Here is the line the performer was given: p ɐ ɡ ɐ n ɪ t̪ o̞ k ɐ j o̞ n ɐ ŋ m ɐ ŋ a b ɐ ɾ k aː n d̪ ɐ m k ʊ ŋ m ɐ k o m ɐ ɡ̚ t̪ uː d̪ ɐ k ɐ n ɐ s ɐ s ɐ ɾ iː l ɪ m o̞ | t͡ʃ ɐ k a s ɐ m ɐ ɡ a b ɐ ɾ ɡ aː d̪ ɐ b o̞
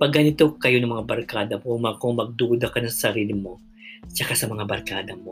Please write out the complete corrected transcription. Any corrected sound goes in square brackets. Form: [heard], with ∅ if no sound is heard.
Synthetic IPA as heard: p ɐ ɡ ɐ n ɪ t̪ o̞ k ɐ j o̞ n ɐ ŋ m ɐ ŋ a b ɐ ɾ k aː [∅] d̪ ɐ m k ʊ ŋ m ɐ k o m ɐ ɡ̚ [d̪] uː d̪ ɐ k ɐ n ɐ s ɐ s ɐ ɾ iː l ɪ m o̞ | t͡ʃ ɐ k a s ɐ m ɐ [ŋ] a b ɐ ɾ [k] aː d̪ ɐ [m] o̞